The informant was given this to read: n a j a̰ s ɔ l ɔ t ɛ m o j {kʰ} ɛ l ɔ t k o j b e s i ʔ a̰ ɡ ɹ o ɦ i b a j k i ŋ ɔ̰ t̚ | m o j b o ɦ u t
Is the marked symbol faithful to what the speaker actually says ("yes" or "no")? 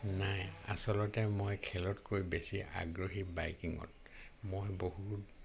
yes